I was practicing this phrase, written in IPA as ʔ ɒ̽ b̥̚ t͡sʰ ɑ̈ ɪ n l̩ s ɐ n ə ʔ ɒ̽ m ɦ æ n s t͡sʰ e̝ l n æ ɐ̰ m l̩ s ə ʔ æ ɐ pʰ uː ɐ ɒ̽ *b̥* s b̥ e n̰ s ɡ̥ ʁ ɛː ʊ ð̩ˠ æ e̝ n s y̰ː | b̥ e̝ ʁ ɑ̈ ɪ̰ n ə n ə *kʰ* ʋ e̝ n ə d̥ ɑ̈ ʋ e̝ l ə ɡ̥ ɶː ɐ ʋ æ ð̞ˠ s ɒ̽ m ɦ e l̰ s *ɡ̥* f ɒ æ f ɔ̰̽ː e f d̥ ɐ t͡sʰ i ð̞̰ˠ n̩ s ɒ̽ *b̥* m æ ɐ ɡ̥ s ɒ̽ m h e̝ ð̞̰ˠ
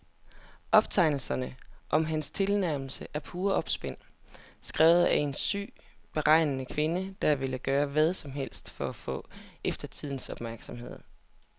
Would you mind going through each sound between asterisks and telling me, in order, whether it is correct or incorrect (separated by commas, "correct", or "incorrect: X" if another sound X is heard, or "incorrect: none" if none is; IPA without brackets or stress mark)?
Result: correct, correct, incorrect: d̥, correct